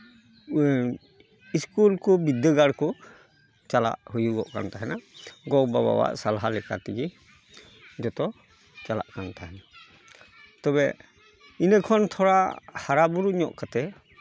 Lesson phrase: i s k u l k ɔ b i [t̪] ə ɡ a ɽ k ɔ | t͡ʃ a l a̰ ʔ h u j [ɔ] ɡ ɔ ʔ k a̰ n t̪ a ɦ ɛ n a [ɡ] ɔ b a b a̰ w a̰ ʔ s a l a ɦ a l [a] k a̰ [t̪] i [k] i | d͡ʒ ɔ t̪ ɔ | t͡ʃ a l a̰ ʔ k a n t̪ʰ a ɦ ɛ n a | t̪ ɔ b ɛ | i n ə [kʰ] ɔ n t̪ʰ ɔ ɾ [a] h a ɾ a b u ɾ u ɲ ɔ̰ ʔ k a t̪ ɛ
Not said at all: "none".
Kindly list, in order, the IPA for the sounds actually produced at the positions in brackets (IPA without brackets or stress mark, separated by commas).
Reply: d̪, u, ɡ, ɛ, t̪, ɡ, kʰ, a